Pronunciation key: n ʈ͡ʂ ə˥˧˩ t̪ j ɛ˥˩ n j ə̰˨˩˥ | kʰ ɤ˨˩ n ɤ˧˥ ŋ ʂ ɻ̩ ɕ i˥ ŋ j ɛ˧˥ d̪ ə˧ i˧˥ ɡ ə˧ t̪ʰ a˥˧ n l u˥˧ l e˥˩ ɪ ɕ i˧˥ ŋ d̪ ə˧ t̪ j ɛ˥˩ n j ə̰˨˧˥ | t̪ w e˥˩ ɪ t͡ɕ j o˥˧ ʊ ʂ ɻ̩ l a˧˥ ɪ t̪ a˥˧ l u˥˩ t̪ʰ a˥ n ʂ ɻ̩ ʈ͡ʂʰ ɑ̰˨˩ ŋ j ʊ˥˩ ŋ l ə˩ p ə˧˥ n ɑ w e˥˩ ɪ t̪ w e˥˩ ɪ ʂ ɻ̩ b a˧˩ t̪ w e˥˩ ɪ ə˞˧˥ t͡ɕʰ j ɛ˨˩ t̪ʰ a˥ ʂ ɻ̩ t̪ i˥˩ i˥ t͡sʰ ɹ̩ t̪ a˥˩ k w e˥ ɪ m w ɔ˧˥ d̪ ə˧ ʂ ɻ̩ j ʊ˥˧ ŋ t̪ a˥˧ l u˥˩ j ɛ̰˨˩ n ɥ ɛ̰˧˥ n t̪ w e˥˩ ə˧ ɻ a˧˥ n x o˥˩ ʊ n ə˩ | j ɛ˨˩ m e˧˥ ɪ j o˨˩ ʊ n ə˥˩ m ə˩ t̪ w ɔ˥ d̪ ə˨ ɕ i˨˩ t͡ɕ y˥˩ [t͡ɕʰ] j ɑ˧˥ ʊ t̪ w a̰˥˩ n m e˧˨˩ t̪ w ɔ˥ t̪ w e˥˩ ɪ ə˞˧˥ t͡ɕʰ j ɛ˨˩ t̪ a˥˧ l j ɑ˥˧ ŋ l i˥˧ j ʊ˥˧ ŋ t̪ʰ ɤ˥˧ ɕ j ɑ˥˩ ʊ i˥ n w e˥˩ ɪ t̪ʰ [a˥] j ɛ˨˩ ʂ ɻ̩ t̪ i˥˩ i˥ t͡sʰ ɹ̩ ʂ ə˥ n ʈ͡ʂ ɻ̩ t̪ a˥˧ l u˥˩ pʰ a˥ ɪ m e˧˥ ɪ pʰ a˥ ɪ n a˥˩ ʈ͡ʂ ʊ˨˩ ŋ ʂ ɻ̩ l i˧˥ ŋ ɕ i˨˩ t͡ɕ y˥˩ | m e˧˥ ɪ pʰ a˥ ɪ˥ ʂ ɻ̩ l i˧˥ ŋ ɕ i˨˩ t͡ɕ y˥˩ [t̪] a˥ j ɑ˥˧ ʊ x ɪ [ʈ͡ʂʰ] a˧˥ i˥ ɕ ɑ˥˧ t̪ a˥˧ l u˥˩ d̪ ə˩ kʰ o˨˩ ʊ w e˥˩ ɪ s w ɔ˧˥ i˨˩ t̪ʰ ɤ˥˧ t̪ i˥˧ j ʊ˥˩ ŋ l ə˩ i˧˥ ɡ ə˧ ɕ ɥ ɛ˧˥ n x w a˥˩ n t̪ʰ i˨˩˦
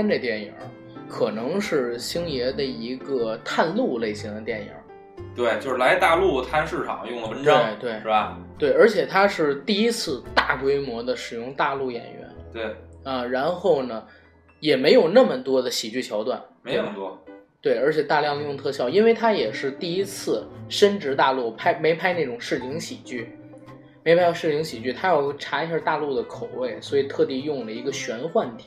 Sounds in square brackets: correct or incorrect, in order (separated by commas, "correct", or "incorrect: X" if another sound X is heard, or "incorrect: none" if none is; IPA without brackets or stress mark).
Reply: correct, correct, incorrect: t̪ʰ, correct